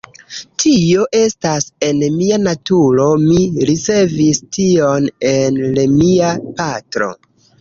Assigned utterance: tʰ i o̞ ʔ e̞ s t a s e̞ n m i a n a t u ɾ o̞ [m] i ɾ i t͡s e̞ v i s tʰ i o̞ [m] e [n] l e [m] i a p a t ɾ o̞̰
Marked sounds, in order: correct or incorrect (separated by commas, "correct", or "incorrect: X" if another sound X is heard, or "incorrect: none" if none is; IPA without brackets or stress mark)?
correct, incorrect: n, correct, correct